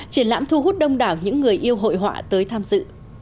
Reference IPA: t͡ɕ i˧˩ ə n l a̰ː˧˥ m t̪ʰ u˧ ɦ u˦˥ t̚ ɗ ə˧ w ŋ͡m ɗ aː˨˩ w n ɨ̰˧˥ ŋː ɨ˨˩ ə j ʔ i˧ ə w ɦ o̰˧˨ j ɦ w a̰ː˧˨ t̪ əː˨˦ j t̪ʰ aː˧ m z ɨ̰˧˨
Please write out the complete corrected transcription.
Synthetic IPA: t͡ɕ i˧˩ ə n l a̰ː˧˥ m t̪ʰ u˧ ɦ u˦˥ t̚ ɗ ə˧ w ŋ͡m ɗ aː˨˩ w ɲ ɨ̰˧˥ ŋː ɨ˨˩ ə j ʔ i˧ ə w ɦ o̰˧˨ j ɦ w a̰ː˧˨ t̪ əː˨˦ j t̪ʰ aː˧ m z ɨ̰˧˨